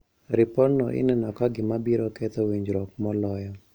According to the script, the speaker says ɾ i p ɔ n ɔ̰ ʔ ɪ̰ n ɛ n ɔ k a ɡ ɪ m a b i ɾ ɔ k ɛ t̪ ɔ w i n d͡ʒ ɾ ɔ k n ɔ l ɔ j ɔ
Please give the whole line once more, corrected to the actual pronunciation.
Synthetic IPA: ɾ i p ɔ n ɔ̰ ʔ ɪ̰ n ɛ n ɔ k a ɡ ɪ m a b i ɾ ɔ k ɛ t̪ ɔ w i ɲ d͡ʒ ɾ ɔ k m ɔ l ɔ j ɔ